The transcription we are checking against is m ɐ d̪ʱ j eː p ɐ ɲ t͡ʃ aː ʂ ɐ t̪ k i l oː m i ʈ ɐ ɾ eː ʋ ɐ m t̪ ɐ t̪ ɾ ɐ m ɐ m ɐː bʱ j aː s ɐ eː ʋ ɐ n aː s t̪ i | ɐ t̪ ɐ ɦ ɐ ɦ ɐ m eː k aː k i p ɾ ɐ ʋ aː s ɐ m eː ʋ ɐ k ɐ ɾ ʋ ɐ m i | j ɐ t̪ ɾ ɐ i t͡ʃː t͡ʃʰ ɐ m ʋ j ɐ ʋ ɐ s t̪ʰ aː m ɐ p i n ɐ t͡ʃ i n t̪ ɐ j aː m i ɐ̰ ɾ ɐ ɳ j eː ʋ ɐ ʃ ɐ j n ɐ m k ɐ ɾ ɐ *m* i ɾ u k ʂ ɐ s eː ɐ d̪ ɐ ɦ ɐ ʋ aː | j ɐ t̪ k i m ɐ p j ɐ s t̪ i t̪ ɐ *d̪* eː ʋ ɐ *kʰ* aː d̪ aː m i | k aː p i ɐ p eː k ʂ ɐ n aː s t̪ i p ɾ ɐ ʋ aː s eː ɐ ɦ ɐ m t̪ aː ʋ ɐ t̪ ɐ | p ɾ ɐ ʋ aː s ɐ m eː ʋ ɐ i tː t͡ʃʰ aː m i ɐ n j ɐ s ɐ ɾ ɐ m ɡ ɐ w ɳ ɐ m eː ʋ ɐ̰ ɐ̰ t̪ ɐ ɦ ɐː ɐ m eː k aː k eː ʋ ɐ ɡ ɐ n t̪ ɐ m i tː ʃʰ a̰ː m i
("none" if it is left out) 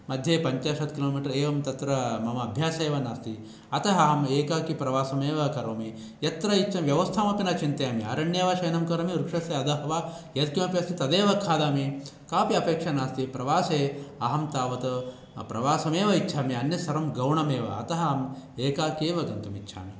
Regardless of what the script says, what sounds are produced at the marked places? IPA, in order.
m, d̪, kʰ

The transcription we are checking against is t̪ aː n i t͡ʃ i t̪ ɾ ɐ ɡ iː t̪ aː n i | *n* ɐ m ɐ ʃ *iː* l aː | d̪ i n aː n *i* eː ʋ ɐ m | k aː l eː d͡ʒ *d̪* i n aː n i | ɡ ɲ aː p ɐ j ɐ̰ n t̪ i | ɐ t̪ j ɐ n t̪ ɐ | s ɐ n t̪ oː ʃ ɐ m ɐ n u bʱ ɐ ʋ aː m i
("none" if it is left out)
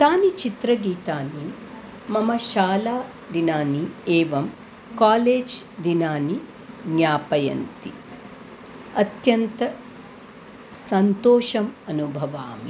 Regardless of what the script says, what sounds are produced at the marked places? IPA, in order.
m, aː, i, d̪

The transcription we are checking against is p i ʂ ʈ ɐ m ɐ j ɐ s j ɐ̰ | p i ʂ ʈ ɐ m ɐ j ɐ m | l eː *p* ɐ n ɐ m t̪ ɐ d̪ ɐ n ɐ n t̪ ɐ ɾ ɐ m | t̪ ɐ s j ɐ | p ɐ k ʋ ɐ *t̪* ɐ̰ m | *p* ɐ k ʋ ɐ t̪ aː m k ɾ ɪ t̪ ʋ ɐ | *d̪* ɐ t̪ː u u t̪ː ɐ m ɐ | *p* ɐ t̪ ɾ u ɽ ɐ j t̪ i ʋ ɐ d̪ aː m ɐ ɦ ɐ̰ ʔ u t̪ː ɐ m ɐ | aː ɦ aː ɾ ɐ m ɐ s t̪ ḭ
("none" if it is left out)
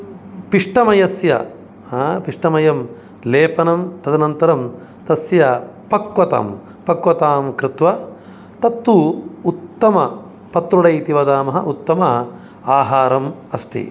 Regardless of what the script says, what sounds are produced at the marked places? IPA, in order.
p, t̪, p, t̪, p

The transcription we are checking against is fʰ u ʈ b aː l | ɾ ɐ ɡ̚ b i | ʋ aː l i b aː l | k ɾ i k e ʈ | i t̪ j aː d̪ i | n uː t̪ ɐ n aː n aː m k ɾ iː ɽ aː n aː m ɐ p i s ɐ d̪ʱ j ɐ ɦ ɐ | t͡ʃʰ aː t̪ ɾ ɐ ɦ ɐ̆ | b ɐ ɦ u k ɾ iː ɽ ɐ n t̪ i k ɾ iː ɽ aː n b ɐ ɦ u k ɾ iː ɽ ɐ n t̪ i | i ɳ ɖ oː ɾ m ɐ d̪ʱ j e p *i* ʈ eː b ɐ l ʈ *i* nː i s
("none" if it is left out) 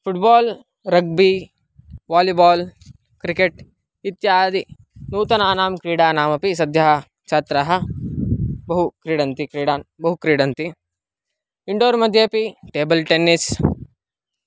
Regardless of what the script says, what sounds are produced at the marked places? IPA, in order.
i, e

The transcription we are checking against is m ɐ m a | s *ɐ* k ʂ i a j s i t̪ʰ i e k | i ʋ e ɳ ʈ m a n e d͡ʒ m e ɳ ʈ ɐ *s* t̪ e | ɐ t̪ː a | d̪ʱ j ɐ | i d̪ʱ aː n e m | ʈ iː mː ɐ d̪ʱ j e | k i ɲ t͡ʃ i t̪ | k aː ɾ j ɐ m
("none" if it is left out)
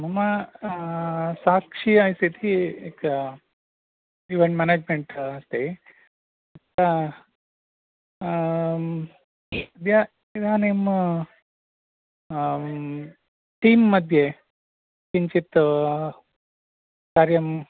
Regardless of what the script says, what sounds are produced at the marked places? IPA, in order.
a, s

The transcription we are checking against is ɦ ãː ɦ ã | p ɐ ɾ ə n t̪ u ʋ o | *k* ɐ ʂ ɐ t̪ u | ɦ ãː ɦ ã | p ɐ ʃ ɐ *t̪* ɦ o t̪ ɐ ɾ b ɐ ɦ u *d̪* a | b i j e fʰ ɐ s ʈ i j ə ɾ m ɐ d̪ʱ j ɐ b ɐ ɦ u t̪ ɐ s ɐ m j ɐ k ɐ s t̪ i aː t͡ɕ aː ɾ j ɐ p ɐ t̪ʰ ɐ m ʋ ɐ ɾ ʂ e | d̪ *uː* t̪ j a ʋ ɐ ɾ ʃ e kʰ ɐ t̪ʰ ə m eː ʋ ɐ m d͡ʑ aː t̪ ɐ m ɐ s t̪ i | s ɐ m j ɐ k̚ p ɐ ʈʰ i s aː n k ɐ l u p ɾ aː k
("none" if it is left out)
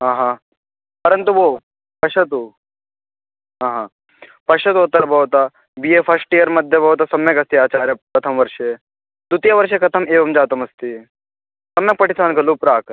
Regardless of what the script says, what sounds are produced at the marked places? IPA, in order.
p, t̪, t̪, u

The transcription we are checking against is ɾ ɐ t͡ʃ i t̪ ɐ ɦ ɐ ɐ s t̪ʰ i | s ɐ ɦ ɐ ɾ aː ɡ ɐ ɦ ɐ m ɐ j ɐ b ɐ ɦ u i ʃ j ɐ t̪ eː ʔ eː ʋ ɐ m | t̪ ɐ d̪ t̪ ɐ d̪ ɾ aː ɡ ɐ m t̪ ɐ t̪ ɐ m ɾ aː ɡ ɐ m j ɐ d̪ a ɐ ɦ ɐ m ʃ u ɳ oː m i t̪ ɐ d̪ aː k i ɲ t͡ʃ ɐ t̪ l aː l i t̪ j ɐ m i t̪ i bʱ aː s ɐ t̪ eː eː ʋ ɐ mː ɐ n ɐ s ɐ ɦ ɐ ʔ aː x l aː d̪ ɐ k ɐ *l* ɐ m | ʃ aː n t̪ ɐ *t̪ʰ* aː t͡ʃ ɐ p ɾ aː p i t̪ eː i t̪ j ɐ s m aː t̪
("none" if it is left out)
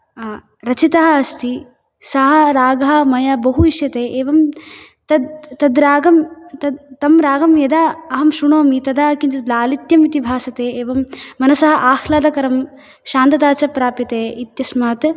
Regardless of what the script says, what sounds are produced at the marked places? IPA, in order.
ɾ, t̪

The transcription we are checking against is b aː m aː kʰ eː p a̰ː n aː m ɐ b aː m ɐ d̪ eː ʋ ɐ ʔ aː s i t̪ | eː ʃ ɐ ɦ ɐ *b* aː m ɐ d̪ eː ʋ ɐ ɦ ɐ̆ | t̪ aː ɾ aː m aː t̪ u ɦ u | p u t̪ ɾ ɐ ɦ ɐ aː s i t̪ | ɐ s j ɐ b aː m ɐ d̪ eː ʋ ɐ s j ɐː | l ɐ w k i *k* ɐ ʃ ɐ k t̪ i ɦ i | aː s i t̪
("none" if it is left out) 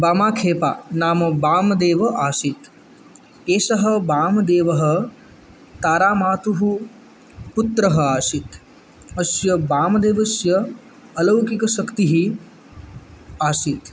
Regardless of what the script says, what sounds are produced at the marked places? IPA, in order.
b, k

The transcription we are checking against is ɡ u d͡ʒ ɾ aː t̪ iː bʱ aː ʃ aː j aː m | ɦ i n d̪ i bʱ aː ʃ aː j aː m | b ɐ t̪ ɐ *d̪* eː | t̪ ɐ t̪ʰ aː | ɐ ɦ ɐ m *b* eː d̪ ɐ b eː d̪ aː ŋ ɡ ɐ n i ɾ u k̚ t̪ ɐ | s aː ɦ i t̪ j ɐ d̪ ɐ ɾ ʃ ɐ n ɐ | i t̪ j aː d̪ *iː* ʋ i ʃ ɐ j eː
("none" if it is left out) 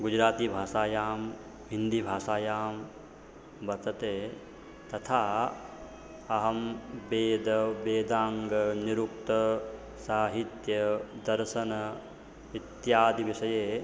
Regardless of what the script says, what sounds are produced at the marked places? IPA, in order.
t̪, b, i

